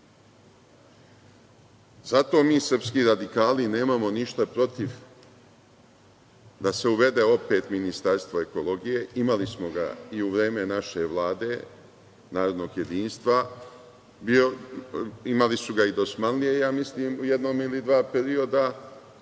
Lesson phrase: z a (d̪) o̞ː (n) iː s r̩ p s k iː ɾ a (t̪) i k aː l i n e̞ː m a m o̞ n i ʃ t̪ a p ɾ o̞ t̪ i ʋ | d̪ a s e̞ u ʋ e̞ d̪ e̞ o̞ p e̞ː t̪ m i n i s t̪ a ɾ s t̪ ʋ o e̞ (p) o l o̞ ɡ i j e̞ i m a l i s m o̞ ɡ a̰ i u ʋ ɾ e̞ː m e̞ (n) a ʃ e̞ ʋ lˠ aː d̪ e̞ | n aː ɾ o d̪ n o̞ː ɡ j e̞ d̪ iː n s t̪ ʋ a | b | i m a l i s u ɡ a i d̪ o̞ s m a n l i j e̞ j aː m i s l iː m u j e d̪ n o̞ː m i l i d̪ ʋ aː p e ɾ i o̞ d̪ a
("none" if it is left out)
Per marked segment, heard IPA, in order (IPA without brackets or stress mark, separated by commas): t̪, m, d̪, k, n